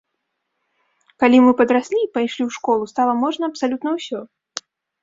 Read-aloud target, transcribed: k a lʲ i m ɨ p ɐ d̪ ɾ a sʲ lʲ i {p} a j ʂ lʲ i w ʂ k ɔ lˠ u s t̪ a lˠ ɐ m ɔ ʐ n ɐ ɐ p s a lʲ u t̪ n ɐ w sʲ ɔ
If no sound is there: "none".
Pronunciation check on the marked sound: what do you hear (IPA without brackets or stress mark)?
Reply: p